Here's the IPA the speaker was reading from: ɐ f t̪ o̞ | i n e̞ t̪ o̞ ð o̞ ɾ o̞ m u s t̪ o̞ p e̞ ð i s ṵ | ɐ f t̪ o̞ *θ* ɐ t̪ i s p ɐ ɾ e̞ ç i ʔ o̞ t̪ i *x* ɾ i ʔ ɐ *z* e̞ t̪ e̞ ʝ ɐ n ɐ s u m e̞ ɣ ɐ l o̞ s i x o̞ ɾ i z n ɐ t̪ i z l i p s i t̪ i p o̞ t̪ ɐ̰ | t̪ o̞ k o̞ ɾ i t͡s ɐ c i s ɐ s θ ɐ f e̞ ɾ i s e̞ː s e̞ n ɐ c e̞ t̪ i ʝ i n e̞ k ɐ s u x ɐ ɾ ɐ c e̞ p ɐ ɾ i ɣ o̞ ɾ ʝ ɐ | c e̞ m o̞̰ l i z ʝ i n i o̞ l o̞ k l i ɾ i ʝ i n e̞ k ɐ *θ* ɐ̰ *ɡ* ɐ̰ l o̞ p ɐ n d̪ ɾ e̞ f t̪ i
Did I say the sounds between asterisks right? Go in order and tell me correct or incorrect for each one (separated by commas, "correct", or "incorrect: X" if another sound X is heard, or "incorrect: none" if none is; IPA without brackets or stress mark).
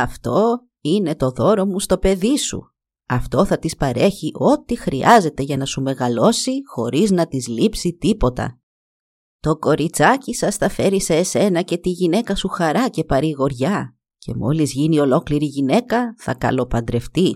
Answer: correct, correct, correct, correct, incorrect: k